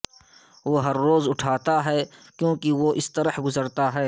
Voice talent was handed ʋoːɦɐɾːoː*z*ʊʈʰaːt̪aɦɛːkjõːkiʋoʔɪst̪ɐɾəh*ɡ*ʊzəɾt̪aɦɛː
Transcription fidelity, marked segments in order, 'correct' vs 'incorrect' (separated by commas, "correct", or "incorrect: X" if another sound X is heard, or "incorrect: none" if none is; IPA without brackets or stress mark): correct, correct